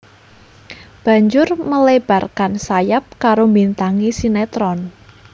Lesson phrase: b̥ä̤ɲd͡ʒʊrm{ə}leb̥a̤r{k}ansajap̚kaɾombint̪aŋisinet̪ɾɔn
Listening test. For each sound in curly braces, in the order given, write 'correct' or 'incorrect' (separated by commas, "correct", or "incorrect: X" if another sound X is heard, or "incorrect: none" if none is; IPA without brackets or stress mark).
correct, correct